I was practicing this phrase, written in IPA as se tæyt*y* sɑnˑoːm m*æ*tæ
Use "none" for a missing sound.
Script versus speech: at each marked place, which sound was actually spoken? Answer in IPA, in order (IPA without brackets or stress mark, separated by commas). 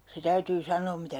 yː, i